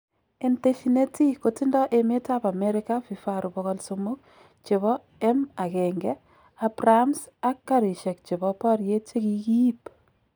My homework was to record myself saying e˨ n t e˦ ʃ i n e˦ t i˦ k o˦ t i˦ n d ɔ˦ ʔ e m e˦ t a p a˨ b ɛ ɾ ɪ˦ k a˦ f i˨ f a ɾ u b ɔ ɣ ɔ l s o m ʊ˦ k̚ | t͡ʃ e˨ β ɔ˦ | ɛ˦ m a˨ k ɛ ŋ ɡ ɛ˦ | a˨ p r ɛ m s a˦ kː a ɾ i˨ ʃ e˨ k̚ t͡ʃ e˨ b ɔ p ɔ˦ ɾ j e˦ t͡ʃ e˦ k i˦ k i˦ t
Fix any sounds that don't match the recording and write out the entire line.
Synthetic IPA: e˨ n t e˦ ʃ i n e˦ t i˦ k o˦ t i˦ n d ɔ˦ ʔ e m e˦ t a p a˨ m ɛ ɾ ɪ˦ k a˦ f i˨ f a ɾ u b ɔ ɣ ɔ l s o m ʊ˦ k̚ | t͡ʃ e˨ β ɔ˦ | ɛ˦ m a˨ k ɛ ŋ ɡ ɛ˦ | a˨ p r a m s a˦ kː a ɾ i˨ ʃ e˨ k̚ t͡ʃ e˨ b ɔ p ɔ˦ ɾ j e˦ t͡ʃ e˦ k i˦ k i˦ p